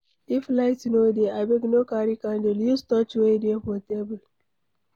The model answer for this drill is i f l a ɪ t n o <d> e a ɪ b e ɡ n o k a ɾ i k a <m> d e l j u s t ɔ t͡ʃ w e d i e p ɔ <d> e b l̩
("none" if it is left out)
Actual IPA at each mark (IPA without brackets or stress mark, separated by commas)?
d, n, t